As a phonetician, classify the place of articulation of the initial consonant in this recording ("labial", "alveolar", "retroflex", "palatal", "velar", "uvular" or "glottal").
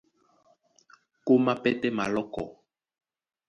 velar